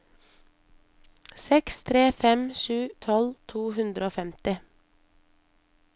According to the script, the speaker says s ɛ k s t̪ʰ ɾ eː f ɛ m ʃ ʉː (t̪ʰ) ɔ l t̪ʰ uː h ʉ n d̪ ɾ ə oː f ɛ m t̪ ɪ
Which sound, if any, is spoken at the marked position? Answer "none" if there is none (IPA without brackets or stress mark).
t̪ʰ